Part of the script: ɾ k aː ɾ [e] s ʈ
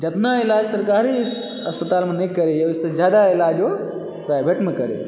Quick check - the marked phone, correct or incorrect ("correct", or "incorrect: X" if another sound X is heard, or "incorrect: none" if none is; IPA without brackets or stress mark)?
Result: incorrect: i